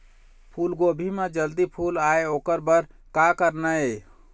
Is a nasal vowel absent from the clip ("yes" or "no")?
yes